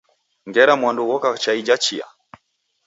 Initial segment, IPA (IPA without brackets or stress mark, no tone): ŋ